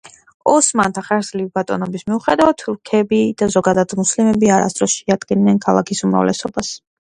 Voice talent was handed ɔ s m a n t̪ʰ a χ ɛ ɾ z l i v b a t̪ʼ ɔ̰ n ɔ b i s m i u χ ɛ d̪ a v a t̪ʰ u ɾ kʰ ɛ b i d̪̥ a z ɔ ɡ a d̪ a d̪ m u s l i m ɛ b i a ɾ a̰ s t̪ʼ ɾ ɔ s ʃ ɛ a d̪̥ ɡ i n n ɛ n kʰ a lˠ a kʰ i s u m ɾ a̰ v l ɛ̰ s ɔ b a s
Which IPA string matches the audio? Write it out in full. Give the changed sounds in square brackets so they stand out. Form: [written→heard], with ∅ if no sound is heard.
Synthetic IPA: ɔ s m a n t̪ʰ a χ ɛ ɾ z l i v b a t̪ʼ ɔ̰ n ɔ b i s m i u χ ɛ d̪ a v a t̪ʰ u ɾ kʰ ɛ b i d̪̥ a z ɔ ɡ a d̪ a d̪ m u s l i m ɛ b i a ɾ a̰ s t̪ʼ ɾ ɔ s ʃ ɛ a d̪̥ ɡ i n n ɛ n kʰ a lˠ a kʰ i s u m ɾ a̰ v l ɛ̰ s ɔ b a s